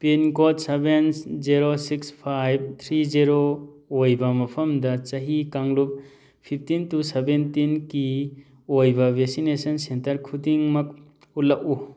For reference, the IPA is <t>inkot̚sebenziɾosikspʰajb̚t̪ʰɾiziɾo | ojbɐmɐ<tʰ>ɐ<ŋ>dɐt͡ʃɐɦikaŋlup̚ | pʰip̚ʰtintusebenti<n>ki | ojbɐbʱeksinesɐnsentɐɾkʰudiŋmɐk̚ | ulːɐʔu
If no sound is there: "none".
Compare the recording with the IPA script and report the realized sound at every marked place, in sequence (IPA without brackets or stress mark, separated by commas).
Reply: p, pʰ, m, n